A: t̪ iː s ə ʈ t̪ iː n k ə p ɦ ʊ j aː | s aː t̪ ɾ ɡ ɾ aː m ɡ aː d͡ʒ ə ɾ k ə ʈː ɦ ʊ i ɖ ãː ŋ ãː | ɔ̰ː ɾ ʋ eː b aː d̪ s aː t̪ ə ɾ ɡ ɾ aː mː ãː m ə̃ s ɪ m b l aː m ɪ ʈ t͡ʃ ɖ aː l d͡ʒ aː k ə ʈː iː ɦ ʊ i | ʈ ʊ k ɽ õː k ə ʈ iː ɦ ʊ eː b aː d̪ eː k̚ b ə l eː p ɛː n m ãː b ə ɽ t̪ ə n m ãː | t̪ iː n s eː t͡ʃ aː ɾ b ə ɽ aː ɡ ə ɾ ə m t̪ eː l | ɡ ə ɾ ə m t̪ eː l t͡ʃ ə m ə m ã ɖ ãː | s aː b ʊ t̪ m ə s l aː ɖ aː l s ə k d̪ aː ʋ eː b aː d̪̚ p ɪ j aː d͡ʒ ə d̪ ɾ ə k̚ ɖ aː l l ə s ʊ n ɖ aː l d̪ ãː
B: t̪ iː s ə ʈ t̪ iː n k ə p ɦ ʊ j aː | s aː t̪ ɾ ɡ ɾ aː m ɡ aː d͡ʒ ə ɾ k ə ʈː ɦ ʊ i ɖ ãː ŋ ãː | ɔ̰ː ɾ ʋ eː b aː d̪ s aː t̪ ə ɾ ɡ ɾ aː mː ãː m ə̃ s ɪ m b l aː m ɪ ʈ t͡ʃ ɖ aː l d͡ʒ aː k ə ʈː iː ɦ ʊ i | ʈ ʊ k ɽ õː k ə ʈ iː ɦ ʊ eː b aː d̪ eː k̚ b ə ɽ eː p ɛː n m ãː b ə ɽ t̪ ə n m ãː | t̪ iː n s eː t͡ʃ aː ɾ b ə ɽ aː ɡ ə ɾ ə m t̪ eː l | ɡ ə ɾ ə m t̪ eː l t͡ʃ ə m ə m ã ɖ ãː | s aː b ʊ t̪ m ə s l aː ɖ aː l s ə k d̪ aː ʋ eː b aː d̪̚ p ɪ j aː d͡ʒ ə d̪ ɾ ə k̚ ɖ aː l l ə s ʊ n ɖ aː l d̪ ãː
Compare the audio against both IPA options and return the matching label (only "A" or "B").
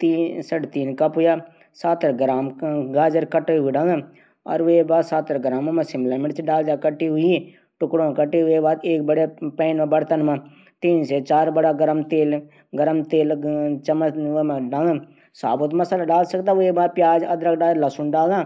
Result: B